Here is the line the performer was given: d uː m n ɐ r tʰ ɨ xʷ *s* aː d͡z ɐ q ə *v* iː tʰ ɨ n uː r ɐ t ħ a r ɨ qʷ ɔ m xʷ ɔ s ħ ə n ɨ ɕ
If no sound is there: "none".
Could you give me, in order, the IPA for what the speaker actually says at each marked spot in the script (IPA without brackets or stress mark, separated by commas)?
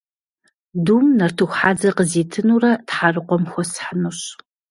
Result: ħ, z